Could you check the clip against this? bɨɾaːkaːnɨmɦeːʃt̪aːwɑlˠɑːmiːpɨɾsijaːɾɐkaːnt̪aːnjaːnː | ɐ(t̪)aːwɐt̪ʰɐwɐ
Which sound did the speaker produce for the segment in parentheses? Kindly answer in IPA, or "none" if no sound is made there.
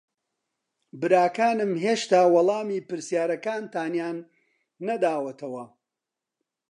d̪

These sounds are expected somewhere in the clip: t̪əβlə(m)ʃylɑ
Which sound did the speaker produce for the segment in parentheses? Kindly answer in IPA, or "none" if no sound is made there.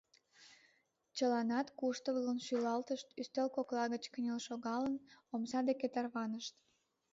n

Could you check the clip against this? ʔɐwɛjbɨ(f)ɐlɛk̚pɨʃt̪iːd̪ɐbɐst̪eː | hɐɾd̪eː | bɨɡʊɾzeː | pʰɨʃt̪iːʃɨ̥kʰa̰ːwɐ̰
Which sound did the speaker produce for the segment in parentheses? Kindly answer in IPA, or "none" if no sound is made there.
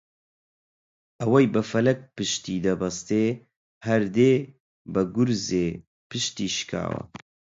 f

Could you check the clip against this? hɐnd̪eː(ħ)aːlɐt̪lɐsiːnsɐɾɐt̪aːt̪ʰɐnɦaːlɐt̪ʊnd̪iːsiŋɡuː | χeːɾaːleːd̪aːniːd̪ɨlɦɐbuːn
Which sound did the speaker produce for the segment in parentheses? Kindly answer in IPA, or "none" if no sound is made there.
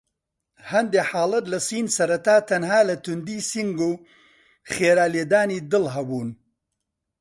ħ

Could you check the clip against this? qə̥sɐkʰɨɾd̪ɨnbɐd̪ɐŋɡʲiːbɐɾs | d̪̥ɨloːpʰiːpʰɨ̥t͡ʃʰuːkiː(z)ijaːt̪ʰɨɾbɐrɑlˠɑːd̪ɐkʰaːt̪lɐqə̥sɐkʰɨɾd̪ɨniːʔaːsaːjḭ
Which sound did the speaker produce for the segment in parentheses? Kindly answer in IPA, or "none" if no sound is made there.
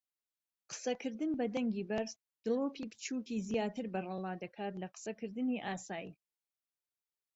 z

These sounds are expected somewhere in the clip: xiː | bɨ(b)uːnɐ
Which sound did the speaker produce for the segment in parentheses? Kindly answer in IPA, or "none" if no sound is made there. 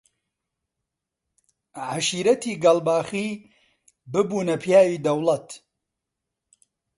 b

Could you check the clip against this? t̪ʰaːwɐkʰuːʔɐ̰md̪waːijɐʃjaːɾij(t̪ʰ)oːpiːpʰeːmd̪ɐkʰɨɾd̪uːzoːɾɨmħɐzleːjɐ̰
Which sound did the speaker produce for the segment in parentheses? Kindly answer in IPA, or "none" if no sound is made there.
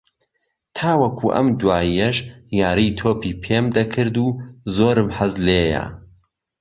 t̪ʰ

